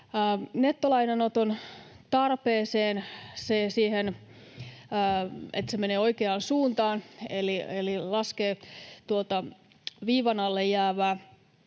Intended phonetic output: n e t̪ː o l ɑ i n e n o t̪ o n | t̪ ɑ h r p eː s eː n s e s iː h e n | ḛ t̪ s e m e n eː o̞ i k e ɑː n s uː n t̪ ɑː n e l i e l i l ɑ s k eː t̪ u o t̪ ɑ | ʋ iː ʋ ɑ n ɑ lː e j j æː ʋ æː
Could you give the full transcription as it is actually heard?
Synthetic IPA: n e t̪ː o l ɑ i n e n o t̪ o n | t̪ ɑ r p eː s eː n s e s iː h e n | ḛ t̪ s e m e n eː o̞ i k e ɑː n s uː n t̪ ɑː n e l i e l i l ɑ s k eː t̪ u o t̪ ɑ | ʋ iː ʋ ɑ n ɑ lː e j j æː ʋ æː